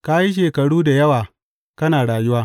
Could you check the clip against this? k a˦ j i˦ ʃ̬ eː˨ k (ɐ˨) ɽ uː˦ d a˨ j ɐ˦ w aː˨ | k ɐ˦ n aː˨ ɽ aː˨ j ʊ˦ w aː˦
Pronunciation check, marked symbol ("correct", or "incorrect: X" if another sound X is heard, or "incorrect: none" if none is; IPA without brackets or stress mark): correct